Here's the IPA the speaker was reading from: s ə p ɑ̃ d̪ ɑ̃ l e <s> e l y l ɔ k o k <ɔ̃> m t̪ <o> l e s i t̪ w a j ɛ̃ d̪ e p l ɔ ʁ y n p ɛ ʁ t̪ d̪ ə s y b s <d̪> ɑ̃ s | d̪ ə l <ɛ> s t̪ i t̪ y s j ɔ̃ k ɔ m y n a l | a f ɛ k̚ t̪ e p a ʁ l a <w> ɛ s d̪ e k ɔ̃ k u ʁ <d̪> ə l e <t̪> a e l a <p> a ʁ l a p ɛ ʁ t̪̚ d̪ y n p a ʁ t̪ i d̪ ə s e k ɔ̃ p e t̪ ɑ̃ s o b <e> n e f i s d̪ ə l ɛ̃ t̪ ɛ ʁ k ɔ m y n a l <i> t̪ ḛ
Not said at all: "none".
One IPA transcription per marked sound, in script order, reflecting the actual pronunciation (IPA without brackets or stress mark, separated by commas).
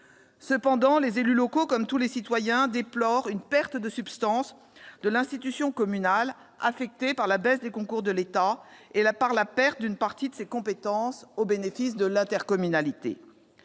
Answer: z, ɔ, u, t̪, ɛ̃, b, d̪, t̪, p, e, i